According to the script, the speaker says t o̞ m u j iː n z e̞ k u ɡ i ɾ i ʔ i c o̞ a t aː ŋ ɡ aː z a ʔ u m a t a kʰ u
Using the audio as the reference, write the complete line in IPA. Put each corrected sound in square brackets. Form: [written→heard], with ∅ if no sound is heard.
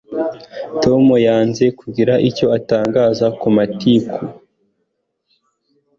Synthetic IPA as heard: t o̞ m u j [iː→aː] n z e̞ k u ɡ i ɾ [i→a] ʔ i c o̞ a t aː ŋ ɡ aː z a [ʔ→k] u m a t [a→i] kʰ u